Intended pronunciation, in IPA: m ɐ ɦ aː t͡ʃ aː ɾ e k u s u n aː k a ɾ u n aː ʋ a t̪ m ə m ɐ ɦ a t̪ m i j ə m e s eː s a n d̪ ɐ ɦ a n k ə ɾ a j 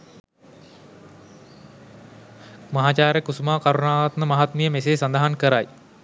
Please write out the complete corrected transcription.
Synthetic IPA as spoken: m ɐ ɦ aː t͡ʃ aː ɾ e k u s u m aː k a ɾ u n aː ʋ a t̪ m ə m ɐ ɦ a t̪ m i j ə m e s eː s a n d̪ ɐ ɦ a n k ə ɾ a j